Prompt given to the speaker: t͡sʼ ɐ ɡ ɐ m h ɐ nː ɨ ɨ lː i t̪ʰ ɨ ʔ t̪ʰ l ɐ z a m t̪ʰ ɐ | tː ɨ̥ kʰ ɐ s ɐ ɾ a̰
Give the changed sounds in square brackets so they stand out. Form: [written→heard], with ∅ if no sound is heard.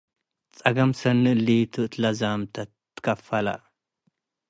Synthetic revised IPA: t͡sʼ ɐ ɡ ɐ m [h→s] ɐ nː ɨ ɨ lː i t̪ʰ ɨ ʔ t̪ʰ l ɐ z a m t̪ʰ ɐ | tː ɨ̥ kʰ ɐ [s→f] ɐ [ɾ→l] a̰